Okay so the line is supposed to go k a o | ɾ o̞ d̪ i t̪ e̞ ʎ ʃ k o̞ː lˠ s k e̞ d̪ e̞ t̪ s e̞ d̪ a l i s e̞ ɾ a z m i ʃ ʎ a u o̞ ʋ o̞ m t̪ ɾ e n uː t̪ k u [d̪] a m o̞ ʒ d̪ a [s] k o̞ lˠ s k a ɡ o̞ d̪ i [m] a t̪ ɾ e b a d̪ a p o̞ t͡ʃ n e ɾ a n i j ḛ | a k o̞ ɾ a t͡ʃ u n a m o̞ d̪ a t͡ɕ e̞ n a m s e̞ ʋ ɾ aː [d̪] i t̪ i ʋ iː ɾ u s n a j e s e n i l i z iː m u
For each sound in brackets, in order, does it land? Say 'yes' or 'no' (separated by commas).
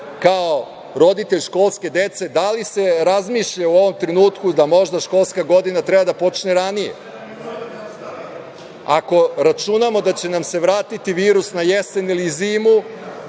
yes, no, no, no